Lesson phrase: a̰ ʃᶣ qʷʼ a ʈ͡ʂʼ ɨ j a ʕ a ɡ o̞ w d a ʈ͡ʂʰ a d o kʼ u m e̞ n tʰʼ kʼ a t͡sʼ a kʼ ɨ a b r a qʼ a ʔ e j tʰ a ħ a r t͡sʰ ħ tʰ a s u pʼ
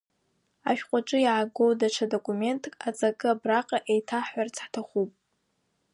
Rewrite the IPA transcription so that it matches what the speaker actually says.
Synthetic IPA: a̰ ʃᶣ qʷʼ a ʈ͡ʂʼ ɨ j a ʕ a ɡ o̞ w d a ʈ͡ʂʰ a d o kʼ u m e̞ n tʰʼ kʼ a t͡sʼ a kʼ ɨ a b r a qʼ a ʔ e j tʰ a ħ a r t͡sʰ ħ tʰ a χ u pʼ